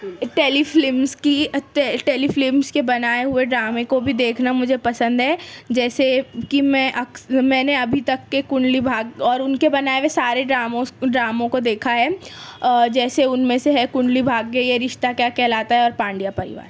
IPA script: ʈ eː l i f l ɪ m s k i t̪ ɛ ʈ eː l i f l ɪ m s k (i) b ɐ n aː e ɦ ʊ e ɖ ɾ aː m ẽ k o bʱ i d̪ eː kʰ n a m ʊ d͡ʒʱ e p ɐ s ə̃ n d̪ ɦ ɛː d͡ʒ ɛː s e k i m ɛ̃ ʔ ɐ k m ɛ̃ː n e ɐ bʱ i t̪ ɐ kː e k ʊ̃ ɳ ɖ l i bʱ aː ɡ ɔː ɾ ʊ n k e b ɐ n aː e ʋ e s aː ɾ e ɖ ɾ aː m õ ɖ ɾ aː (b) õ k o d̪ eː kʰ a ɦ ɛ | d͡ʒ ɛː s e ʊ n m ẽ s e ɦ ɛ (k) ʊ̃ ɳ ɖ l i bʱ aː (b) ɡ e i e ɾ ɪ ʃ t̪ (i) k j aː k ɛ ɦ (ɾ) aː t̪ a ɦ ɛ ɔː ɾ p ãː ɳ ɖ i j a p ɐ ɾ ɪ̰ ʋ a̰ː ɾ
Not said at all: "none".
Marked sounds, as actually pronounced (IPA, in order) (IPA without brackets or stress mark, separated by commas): e, m, k, ɡ, a, l